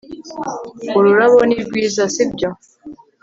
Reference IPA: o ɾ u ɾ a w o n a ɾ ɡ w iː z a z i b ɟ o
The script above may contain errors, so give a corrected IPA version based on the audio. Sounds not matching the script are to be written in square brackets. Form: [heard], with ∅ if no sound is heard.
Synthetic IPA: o ɾ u ɾ a [β] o n [i] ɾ ɡ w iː z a [s] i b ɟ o